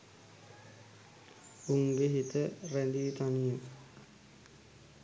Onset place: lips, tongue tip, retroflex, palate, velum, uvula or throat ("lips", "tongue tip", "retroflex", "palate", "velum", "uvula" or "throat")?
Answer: velum